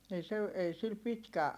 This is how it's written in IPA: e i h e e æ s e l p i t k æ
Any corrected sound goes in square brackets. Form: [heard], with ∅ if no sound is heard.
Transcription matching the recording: e i [s] e e [i] s [i] l p i t k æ